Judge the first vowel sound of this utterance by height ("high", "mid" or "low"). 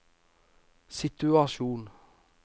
high